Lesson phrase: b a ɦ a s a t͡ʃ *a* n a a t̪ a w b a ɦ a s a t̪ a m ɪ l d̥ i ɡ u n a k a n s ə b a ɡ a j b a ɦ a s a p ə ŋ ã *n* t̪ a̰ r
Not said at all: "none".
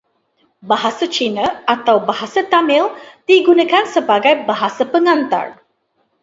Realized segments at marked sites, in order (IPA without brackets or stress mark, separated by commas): i, n